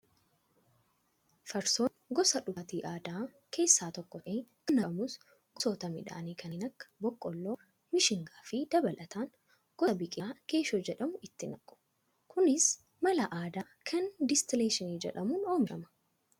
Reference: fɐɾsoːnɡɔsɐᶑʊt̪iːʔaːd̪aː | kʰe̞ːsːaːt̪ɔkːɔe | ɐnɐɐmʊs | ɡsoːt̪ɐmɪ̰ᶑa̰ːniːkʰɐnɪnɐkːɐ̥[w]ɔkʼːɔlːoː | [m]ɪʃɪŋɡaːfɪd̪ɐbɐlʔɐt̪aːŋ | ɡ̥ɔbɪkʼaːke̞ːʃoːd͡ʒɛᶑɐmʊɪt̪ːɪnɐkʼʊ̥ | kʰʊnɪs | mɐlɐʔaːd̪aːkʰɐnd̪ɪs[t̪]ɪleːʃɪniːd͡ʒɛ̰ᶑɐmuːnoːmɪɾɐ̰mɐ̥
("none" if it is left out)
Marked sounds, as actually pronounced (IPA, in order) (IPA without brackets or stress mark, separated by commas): b, m, t̪